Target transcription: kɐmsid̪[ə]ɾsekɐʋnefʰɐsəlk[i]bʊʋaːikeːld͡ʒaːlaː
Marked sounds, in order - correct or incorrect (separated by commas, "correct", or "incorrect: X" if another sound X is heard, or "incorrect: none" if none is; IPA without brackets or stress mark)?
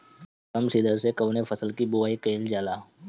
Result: correct, correct